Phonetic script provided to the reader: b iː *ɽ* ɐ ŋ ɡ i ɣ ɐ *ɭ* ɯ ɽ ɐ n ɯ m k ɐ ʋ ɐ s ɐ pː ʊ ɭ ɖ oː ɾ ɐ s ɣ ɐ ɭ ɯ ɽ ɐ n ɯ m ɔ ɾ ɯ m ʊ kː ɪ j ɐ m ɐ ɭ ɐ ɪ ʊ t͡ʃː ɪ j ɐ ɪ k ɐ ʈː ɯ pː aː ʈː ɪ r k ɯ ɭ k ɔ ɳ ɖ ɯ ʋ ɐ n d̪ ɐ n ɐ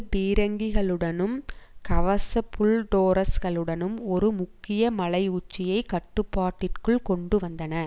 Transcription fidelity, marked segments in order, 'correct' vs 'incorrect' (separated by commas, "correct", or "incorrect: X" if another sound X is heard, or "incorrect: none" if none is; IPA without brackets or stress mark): incorrect: ɾ, correct